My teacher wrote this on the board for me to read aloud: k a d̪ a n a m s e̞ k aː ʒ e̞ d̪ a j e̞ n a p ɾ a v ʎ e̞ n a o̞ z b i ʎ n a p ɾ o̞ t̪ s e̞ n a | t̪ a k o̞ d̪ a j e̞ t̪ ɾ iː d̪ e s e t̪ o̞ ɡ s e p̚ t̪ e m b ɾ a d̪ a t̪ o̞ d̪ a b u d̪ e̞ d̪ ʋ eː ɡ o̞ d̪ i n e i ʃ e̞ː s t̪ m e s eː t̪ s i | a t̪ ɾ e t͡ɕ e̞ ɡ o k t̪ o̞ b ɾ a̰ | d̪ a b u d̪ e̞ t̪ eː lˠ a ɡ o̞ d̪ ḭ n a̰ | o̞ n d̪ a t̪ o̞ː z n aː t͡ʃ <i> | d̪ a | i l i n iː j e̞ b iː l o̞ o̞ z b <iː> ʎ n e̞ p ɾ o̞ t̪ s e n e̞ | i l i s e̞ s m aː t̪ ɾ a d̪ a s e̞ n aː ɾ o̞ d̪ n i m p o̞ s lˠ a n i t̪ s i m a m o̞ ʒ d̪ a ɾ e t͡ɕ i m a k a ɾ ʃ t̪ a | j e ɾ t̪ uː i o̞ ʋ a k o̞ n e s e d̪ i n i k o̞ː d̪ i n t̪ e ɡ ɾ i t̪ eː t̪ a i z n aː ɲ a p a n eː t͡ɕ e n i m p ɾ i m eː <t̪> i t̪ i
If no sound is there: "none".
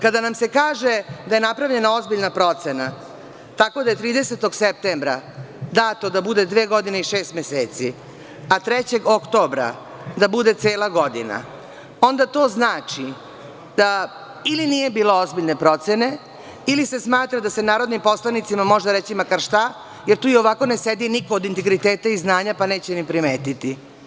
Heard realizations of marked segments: i, i, t̪

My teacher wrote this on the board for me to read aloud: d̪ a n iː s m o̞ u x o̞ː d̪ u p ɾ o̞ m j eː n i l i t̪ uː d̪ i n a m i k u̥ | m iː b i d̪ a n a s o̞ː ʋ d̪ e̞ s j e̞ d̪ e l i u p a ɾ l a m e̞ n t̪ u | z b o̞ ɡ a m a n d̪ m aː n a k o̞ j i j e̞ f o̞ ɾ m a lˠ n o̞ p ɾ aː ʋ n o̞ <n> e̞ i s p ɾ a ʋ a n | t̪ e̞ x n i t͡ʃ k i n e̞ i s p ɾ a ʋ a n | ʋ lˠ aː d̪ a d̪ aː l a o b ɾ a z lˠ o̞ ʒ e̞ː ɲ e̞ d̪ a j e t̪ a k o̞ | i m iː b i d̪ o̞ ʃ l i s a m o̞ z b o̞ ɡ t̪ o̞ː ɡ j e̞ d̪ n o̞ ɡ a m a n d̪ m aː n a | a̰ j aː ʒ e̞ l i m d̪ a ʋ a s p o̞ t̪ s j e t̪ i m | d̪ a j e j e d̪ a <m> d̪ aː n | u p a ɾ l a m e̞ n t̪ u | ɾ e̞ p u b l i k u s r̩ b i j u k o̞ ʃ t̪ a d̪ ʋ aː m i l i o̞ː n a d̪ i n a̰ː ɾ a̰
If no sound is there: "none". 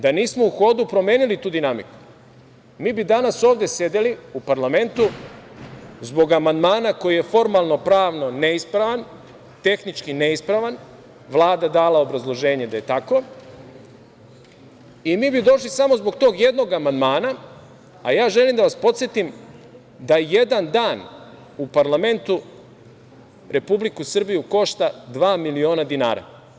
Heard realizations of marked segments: n, n

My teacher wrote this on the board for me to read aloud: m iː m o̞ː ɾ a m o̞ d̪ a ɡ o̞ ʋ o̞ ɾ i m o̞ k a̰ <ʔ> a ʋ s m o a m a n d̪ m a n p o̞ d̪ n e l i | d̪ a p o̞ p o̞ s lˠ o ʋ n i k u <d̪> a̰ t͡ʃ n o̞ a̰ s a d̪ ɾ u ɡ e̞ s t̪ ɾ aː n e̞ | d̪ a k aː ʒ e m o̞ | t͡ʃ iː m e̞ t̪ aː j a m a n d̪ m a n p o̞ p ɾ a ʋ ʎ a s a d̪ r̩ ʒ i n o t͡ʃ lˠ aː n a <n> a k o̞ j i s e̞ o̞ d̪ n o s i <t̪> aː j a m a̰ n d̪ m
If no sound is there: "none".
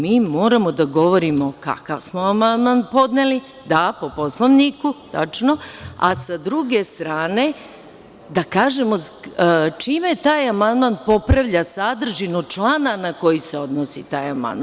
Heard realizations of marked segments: k, t̪, n, t̪

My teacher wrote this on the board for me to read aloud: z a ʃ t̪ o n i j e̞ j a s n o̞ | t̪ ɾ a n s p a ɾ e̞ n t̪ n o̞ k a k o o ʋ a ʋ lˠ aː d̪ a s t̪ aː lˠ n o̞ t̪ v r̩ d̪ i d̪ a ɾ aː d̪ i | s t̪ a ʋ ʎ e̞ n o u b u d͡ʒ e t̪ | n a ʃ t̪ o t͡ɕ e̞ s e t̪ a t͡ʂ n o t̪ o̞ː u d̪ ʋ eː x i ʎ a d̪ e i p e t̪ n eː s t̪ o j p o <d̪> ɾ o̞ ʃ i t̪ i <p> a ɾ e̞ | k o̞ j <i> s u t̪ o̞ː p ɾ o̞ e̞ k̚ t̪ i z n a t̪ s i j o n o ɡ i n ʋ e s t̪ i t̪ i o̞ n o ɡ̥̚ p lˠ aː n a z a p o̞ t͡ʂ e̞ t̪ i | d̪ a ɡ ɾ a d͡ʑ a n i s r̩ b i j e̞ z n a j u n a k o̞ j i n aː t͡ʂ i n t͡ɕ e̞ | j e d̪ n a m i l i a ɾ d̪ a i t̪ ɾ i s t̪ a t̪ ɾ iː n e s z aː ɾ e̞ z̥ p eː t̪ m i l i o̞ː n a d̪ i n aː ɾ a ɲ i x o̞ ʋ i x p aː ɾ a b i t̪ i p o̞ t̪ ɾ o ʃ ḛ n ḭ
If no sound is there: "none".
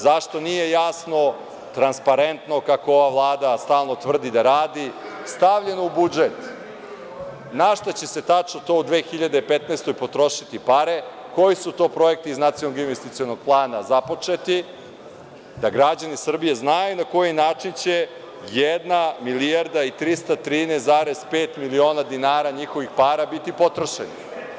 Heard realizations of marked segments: t̪, p, i

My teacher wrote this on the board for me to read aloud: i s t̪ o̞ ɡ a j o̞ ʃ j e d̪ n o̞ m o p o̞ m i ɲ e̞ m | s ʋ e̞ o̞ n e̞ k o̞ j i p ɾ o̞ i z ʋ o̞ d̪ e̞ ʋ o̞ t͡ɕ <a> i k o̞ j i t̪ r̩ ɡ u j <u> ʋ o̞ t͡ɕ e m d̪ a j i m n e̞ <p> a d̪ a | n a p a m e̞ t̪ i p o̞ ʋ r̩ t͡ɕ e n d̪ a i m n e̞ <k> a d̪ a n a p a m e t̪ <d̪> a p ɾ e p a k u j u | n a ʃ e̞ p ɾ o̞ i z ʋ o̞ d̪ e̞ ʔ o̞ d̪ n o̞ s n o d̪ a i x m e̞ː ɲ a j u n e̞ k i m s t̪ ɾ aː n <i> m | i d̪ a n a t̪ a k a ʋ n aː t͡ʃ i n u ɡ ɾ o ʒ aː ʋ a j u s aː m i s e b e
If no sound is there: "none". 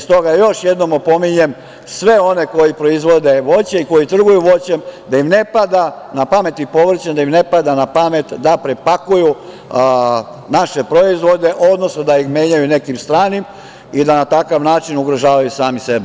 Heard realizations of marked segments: e, u, p, p, d̪, i

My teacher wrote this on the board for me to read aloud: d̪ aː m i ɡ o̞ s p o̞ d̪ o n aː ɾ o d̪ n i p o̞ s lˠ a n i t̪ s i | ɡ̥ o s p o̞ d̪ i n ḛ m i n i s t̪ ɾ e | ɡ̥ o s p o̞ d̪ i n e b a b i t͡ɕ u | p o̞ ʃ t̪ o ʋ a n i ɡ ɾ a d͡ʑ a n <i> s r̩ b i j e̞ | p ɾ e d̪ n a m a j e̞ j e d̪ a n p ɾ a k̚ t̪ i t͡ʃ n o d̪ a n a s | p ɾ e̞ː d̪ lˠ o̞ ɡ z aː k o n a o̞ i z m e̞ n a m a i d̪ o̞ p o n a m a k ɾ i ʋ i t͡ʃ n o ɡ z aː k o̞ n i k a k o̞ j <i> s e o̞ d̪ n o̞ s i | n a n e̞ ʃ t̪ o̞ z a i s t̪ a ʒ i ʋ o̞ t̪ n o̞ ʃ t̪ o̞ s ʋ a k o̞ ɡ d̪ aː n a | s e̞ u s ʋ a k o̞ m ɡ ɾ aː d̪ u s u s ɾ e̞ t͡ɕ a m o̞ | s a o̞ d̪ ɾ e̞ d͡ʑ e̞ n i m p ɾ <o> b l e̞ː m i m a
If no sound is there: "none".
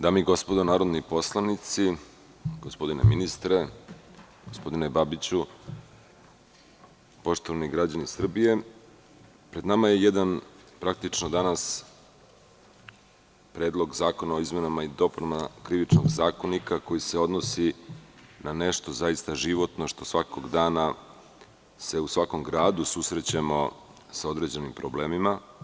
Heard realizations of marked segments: i, i, o

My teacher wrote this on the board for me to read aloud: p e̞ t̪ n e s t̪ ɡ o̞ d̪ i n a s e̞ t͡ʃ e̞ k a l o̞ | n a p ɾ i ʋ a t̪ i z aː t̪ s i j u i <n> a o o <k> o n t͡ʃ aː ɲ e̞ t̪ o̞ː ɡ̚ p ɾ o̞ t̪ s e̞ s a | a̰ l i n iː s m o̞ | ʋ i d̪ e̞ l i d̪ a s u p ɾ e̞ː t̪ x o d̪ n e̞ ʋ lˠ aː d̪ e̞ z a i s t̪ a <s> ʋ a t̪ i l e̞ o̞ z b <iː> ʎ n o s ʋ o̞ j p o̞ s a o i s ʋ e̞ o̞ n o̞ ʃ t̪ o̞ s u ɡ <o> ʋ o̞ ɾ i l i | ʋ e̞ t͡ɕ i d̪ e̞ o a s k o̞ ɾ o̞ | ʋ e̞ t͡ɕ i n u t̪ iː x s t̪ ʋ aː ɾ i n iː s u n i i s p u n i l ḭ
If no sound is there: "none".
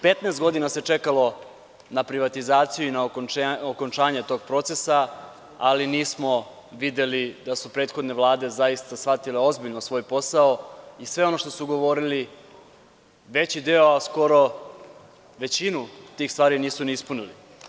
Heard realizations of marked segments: n, k, s, i, o

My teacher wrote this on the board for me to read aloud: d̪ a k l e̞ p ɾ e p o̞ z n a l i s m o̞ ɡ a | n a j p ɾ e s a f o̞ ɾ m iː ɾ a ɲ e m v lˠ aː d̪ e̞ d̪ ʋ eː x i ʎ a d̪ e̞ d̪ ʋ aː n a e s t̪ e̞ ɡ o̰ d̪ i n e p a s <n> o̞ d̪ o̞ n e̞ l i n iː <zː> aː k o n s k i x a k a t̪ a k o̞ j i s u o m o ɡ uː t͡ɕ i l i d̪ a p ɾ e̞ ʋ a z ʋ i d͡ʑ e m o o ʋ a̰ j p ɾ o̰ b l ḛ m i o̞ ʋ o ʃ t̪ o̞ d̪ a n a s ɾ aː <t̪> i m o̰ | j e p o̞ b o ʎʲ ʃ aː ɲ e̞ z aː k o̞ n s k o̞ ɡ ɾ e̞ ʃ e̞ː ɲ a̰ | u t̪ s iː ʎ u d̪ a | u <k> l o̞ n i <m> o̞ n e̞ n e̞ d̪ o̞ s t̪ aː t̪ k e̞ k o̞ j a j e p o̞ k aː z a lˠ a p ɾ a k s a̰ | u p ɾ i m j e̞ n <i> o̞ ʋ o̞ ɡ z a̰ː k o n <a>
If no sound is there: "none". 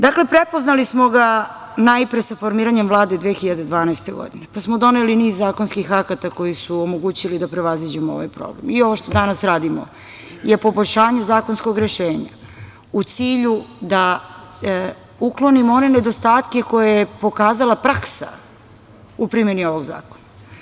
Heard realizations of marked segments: m, zː, d̪, k, m, i, a

